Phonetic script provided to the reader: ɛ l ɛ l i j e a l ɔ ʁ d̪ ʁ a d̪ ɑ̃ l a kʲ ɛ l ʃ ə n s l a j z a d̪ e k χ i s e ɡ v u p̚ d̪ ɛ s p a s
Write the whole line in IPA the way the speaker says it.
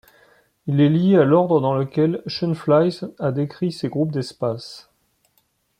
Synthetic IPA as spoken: i l ɛ l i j e a l ɔ ʁ d̪ ʁ ə d̪ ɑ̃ l ə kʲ ɛ l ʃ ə n f l a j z a d̪ e k χ i s e ɡ ʁ u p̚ d̪ ɛ s p a s